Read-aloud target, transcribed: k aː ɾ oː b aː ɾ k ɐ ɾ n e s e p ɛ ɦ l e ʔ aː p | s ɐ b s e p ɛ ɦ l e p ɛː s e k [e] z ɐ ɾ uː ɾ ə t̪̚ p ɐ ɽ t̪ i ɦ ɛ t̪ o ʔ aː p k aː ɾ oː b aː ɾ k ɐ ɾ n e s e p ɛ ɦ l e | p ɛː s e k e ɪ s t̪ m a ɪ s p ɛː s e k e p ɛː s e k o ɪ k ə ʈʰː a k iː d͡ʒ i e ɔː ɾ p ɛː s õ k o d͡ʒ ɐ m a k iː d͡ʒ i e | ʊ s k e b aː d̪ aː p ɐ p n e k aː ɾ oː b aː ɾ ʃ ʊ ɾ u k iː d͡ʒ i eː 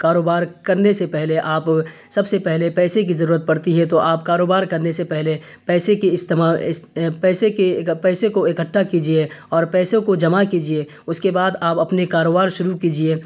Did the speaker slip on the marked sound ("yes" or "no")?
yes